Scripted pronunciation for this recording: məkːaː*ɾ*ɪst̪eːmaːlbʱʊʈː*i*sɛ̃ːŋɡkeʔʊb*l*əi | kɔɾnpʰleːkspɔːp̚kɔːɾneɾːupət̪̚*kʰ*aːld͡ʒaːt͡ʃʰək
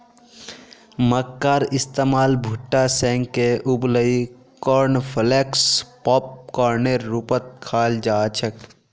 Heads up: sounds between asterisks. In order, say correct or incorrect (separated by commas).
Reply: correct, incorrect, correct, correct